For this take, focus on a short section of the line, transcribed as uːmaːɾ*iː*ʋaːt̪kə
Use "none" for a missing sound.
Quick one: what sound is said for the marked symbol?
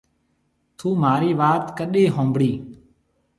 iː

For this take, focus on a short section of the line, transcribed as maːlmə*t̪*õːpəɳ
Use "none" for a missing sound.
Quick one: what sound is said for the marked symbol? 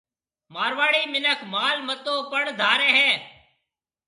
t̪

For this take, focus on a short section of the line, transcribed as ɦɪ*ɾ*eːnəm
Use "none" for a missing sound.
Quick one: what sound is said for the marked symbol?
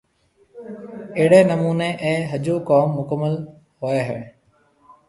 ɽ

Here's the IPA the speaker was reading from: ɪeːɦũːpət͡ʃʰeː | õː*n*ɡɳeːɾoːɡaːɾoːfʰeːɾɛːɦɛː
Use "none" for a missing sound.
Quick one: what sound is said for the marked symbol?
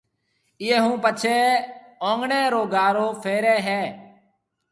ŋ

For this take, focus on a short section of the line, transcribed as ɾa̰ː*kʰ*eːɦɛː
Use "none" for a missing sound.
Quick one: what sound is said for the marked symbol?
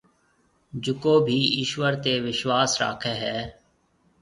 kʰ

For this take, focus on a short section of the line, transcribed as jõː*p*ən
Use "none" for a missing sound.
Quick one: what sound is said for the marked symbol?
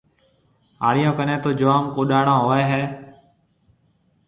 k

